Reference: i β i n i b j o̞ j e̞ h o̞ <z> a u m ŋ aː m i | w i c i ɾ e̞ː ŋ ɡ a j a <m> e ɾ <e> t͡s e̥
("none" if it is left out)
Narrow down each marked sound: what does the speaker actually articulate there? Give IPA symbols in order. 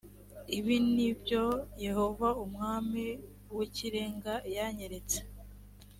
v, ɲ, e

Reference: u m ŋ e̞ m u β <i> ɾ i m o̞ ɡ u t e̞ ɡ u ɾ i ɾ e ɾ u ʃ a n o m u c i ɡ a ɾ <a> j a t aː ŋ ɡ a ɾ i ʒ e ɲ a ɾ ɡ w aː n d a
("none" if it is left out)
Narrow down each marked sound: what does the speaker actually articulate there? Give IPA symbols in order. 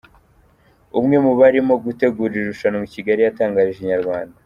a, i

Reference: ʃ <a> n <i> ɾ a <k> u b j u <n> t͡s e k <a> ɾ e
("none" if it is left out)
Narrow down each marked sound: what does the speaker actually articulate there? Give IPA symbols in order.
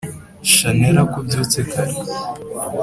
a, e, k, none, a

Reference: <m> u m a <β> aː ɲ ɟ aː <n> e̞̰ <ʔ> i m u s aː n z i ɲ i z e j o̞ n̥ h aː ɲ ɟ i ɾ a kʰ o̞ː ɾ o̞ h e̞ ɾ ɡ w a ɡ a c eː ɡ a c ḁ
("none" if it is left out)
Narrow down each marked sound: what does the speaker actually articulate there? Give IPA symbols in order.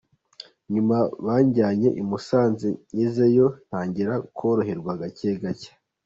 ɲ, β, ɲ, ʔ

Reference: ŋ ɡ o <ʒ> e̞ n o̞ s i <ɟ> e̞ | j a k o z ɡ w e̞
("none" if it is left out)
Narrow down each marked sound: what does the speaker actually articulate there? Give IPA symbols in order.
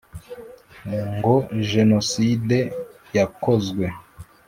ʒ, d

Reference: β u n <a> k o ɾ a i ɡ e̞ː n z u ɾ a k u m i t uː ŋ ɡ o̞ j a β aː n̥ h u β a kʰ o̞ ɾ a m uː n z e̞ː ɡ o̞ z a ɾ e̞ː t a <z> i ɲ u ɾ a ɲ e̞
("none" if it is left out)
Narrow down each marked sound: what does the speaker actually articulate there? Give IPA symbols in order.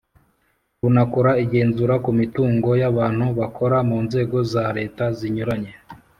a, z

